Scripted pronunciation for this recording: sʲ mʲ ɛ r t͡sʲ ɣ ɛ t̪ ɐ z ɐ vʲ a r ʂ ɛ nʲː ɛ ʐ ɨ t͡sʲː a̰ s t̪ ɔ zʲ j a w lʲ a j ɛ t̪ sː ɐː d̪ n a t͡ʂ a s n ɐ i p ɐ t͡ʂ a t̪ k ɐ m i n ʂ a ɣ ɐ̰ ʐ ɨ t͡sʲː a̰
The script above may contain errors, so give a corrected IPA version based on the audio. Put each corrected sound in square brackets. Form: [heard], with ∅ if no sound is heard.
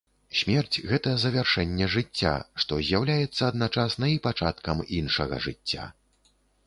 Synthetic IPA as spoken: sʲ mʲ ɛ r t͡sʲ ɣ ɛ t̪ ɐ z ɐ vʲ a r ʂ ɛ nʲː ɛ ʐ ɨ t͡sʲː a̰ [ʂ] t̪ ɔ zʲ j a w lʲ a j ɛ t̪ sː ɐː d̪ n a t͡ʂ a s n ɐ i p [a] t͡ʂ a t̪ k ɐ m i n ʂ [ɐ] ɣ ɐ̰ ʐ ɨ t͡sʲː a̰